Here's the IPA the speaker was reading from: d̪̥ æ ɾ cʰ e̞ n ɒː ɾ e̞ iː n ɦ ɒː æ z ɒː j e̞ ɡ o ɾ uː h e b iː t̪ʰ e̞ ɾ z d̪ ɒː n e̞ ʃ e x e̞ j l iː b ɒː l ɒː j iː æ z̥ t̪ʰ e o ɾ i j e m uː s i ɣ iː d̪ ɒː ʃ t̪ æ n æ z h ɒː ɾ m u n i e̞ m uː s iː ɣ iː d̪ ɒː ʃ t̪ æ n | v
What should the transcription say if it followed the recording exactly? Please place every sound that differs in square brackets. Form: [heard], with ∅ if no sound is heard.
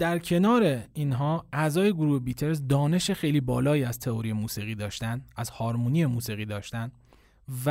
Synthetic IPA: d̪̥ æ ɾ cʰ e̞ n ɒː ɾ e̞ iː n ɦ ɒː æ z ɒː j e̞ ɡ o ɾ uː h e b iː t̪ʰ e̞ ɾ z d̪ ɒː n e̞ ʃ e x e̞ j l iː b ɒː l ɒː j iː æ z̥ t̪ʰ e o ɾ i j e m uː s i ɣ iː d̪ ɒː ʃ t̪ æ n æ z h ɒː ɾ m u n i e̞ m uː s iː ɣ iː d̪ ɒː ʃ t̪ æ n | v